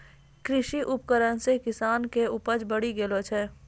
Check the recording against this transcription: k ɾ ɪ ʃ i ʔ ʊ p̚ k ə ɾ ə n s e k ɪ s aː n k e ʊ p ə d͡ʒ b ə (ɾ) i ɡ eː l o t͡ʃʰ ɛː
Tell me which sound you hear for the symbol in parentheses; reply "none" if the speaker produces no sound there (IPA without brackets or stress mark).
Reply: ɽ